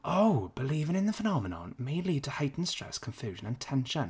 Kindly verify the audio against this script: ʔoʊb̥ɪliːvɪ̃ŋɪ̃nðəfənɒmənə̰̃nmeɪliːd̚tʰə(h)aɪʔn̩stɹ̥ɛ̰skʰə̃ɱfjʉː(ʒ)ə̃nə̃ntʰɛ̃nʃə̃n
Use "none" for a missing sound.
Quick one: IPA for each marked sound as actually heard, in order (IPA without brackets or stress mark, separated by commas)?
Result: h, ʒ